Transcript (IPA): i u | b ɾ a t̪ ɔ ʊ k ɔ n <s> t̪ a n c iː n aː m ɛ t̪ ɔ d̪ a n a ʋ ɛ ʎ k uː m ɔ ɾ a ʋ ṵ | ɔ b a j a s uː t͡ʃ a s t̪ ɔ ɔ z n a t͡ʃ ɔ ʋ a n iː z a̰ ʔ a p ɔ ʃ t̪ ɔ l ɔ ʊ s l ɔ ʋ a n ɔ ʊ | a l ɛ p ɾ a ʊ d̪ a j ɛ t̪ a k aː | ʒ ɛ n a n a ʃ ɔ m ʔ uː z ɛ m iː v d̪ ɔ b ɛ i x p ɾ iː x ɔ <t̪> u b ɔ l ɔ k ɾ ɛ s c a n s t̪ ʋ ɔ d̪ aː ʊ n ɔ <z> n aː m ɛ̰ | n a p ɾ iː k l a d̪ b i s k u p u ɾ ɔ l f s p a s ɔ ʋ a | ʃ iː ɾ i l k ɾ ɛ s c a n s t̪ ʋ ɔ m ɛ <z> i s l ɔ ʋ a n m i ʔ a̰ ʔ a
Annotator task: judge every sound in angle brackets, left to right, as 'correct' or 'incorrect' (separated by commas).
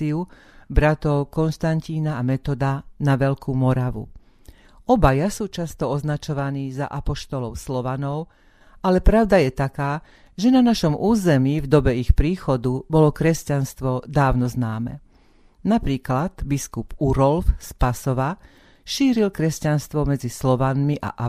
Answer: incorrect, incorrect, correct, incorrect